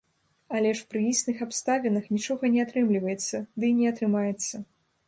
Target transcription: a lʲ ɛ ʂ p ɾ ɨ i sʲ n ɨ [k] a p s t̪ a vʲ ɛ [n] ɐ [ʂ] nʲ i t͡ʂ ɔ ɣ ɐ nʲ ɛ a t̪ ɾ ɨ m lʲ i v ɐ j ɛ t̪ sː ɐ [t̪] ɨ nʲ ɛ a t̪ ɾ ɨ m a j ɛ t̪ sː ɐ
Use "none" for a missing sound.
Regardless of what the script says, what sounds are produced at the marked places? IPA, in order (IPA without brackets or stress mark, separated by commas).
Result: x, n, x, d̪